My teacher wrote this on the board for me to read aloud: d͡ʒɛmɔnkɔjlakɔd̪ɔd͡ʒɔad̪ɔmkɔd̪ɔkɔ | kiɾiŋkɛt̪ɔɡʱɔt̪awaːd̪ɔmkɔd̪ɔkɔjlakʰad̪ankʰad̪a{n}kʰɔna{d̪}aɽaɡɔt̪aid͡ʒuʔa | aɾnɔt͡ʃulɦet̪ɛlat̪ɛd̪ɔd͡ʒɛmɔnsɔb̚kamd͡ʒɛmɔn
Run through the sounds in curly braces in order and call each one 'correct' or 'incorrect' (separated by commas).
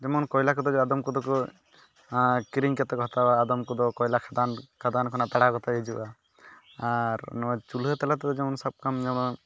correct, incorrect